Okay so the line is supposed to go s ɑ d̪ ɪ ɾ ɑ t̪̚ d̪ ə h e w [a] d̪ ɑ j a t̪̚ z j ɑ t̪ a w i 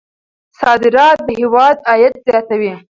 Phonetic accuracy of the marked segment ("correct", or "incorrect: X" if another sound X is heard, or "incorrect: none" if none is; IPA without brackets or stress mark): incorrect: ɑ